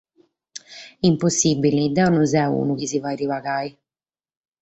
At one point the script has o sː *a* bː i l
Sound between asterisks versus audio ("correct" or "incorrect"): incorrect